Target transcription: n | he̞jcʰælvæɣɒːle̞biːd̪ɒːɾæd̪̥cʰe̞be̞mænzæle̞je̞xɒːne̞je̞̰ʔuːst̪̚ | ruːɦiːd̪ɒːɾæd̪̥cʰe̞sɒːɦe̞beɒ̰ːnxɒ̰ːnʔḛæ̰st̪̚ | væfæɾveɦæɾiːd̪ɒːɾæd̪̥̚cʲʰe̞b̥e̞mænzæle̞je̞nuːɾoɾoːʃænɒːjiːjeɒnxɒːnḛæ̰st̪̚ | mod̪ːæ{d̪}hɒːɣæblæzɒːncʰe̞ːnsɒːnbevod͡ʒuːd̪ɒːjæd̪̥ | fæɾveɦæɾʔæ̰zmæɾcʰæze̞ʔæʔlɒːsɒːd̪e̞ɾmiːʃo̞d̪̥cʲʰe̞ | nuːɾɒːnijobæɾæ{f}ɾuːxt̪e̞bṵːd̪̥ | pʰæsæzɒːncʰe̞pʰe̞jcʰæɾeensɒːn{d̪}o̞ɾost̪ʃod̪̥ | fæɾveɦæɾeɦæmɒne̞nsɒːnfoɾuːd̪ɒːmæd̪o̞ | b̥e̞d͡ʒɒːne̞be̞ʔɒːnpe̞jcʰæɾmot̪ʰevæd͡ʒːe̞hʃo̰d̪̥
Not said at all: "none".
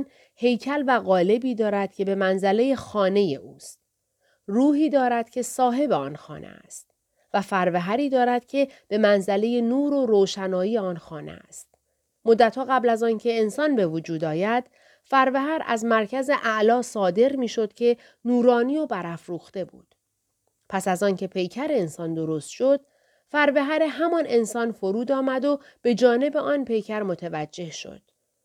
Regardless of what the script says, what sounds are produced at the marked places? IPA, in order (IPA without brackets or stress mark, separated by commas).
t̪, f, d̪